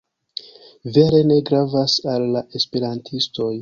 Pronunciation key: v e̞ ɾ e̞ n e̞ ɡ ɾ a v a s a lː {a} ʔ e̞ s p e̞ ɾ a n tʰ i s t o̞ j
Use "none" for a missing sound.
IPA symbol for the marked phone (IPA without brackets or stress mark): a